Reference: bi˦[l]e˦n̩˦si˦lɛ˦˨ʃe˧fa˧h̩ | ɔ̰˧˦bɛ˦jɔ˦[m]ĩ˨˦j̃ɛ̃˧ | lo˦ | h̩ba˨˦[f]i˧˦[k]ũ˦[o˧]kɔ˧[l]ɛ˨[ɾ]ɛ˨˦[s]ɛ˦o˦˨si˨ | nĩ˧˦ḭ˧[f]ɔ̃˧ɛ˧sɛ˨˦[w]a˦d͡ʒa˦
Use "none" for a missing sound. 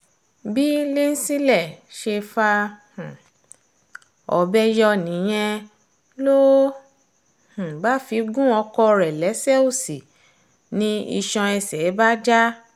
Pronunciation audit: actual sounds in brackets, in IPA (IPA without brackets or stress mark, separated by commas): l, n, f, ɡ, ɔ˧, ɾ, l, s, ʃ, b